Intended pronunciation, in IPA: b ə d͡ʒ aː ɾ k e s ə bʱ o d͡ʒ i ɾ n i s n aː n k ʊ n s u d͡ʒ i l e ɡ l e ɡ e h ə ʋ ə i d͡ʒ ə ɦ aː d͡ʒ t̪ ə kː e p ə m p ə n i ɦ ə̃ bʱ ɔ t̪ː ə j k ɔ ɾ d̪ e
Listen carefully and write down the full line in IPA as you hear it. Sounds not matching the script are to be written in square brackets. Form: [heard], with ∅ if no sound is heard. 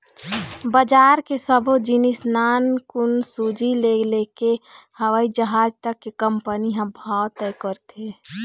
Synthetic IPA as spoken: b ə d͡ʒ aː ɾ k e s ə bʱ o d͡ʒ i [∅] n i s n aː n k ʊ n s u d͡ʒ i l e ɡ l e [k] e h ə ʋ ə i d͡ʒ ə ɦ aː d͡ʒ t̪ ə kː e [k] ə m p ə n i ɦ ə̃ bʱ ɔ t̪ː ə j k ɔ ɾ [t̪] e